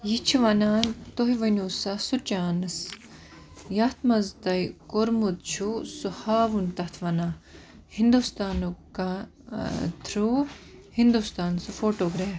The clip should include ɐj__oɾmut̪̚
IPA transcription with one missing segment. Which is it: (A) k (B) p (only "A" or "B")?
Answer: A